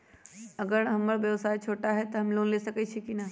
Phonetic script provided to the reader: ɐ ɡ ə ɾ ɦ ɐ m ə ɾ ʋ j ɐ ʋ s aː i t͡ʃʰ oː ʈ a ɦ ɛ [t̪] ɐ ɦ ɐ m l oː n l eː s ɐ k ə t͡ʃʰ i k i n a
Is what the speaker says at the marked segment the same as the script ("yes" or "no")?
yes